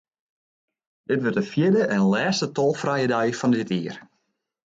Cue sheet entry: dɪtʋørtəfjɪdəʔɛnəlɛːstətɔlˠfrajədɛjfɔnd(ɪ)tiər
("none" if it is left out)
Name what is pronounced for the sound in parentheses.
ɪ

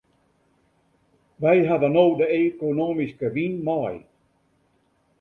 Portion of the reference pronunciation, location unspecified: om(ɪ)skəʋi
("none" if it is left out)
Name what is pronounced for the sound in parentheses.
i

